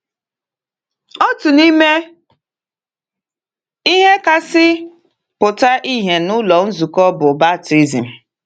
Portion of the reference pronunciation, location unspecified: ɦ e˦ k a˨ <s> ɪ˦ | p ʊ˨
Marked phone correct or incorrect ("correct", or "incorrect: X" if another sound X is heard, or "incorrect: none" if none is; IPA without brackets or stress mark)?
correct